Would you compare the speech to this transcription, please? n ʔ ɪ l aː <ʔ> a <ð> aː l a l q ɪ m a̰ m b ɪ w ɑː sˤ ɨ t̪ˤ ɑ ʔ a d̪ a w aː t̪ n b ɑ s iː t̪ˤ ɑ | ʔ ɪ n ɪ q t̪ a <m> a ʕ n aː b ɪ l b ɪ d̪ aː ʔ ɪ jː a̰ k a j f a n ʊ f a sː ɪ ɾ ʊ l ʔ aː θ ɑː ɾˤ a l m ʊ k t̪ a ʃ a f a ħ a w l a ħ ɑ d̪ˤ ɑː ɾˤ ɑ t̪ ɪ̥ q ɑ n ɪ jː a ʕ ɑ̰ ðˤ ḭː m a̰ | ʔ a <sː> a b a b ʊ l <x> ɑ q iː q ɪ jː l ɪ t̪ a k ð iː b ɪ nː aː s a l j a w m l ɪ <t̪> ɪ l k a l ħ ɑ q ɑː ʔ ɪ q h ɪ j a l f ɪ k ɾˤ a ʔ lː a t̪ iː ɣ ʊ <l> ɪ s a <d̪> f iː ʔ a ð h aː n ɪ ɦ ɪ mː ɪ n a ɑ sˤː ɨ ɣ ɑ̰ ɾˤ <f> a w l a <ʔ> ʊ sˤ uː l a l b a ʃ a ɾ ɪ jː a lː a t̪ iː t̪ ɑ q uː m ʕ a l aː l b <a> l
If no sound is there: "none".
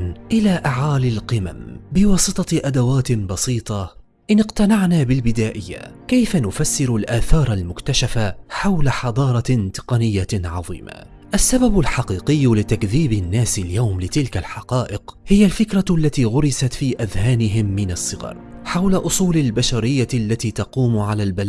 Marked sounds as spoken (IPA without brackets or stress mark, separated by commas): ʔ, ʕ, n, sː, ħ, t̪, ɾ, t̪, ħ, ʔ, a